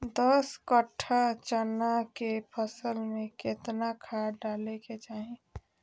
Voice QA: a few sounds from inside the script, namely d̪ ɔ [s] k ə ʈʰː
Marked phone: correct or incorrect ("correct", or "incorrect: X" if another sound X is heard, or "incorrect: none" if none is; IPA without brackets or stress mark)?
correct